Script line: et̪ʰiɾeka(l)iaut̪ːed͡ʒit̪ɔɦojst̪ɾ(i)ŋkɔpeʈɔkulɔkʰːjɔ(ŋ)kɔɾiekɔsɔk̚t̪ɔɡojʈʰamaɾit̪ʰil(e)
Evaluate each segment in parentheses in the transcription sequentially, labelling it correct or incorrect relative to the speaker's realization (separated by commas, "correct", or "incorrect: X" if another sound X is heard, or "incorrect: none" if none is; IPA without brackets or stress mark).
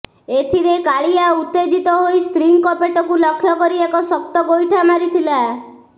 incorrect: ɭ, correct, incorrect: none, incorrect: a